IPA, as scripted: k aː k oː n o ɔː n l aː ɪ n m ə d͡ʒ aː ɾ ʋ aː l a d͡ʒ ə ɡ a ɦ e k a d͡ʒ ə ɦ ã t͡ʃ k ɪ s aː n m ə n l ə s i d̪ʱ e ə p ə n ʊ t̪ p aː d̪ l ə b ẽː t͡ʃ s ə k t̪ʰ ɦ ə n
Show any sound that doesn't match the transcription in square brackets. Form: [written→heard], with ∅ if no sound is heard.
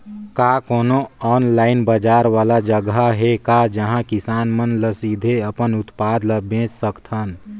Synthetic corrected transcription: k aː k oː n o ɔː n l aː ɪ n [m→b] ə d͡ʒ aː ɾ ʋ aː l a d͡ʒ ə ɡ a ɦ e k a d͡ʒ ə ɦ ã [t͡ʃ→∅] k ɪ s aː n m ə n l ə s i d̪ʱ e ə p ə n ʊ t̪ p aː d̪ l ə b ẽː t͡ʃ s ə k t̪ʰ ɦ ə n